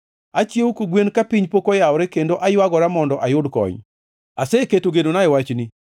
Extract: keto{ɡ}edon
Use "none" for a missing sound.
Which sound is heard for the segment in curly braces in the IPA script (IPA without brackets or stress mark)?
ɡ